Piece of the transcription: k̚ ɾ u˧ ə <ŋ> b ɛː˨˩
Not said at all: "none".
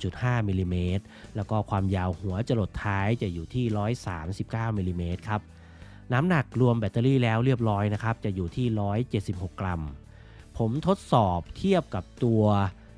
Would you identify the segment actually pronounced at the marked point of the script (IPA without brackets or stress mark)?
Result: m